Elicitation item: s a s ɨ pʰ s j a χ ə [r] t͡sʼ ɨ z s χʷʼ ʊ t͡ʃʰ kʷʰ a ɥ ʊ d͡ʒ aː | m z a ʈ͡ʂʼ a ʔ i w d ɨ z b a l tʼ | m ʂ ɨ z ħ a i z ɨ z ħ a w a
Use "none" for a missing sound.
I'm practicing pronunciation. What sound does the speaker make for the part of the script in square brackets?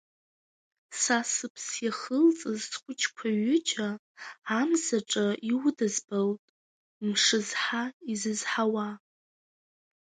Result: l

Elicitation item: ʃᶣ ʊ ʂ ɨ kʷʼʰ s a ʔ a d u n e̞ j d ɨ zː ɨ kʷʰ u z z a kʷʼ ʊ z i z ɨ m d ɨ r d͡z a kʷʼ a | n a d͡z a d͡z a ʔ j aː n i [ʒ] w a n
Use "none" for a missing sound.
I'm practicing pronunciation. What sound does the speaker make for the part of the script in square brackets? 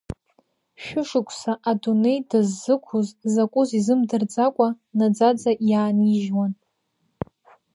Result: ʒ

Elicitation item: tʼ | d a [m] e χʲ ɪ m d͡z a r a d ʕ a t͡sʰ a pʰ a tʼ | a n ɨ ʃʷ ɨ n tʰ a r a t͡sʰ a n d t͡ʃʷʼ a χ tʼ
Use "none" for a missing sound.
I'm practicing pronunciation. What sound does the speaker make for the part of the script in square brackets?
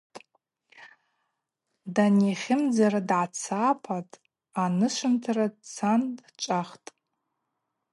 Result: n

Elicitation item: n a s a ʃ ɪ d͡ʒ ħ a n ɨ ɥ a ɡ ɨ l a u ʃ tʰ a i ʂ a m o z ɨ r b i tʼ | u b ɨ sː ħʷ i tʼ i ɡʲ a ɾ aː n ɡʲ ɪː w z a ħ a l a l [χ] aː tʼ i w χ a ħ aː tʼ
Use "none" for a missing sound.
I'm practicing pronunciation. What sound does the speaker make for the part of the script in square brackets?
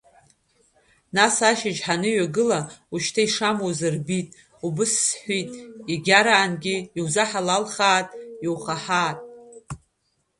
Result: χ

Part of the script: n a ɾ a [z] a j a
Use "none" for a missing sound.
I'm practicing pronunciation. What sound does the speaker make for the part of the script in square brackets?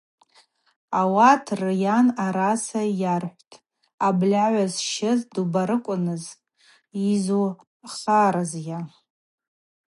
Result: s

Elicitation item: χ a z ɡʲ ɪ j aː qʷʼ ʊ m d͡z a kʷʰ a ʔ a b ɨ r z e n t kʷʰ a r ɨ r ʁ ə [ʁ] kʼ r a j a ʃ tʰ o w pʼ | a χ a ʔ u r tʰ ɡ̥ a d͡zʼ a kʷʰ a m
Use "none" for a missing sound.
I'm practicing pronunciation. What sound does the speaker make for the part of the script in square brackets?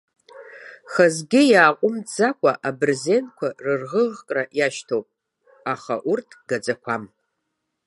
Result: ʁ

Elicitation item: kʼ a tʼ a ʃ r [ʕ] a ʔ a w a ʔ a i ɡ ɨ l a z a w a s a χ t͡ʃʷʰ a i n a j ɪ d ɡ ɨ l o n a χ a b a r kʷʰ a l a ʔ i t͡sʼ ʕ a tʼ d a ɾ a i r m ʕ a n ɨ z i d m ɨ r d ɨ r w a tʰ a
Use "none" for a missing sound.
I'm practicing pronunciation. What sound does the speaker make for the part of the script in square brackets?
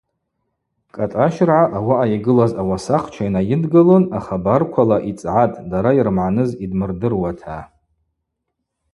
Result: ʕ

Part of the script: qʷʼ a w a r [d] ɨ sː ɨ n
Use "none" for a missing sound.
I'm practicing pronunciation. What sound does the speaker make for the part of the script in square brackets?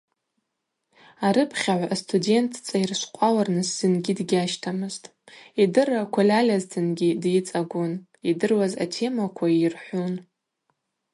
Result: n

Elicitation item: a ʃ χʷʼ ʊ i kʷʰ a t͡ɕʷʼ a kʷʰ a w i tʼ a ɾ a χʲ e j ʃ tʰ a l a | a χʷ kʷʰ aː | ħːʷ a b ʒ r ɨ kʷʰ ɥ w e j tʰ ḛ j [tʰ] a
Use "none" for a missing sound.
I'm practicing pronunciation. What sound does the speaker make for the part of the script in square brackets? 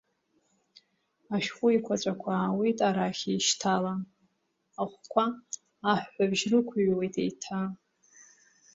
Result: tʰ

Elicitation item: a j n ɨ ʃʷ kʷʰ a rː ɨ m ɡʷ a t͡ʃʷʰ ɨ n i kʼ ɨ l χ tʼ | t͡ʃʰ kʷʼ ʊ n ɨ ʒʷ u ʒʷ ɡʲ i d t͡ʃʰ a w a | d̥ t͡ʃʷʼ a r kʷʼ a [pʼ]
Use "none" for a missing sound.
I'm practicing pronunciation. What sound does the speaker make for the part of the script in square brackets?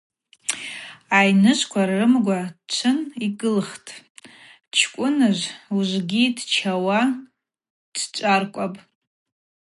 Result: pʼ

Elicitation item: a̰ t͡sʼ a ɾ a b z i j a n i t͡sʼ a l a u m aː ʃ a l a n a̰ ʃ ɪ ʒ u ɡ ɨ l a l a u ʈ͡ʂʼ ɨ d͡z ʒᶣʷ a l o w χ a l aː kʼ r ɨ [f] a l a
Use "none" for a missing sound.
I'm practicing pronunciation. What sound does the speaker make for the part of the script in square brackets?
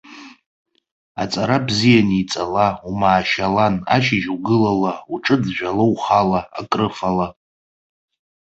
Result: f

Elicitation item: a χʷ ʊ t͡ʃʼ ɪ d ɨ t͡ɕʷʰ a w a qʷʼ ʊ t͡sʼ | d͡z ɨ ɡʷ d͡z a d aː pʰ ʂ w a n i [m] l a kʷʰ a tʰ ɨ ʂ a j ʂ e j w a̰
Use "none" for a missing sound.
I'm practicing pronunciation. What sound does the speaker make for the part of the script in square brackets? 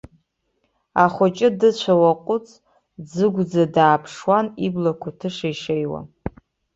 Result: b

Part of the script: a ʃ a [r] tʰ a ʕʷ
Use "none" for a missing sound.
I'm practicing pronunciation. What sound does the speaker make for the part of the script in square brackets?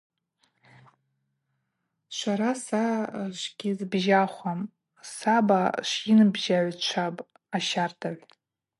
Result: r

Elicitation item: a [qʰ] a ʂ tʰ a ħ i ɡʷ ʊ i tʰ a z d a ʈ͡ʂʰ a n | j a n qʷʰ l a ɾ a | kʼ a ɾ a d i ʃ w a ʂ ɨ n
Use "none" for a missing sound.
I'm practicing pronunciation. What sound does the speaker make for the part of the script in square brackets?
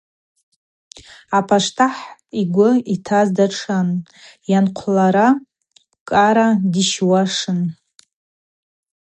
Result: pʰ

